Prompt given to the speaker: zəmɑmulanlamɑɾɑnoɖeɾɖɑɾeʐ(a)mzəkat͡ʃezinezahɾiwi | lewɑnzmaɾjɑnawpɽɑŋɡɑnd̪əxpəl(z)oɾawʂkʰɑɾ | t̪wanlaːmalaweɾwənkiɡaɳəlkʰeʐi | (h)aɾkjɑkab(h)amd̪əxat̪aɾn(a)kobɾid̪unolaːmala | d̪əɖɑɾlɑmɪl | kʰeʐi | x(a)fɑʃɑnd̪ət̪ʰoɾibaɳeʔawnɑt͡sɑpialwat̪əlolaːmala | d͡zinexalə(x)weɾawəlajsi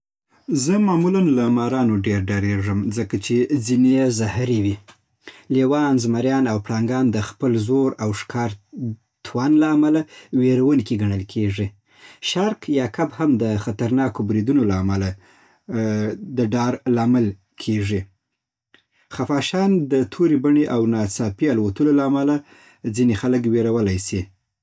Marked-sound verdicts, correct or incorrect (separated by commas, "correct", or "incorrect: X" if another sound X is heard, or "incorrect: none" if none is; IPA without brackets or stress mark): incorrect: ə, correct, incorrect: ʃ, correct, incorrect: ɑ, correct, incorrect: k